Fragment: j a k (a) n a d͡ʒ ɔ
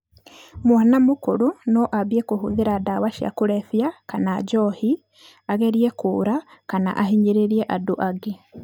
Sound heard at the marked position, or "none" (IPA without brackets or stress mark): a